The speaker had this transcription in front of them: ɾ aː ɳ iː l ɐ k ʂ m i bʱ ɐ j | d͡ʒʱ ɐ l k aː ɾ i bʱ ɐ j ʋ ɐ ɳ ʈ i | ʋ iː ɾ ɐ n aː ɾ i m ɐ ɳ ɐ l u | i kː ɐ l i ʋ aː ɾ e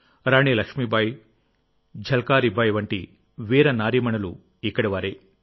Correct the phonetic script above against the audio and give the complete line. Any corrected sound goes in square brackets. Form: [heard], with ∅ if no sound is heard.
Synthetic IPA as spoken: ɾ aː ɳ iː l ɐ k ʂ m i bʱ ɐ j | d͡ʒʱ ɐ l k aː ɾ i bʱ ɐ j ʋ ɐ ɳ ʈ i | ʋ iː ɾ ɐ n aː ɾ i m ɐ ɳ ɐ l u | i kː ɐ [ɽ] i ʋ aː ɾ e